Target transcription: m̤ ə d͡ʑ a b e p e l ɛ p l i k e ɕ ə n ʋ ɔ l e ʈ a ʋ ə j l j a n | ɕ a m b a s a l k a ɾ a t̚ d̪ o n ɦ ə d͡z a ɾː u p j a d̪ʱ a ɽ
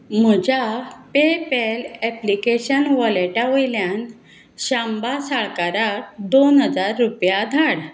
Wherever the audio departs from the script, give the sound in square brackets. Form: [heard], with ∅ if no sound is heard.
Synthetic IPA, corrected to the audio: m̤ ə d͡ʑ a [p] e p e l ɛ p l i k e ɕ ə n ʋ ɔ l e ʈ a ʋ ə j l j a n | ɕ a m b a s a [ɭ] k a ɾ a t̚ d̪ o n ɦ ə d͡z a ɾː u p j a d̪ʱ a ɽ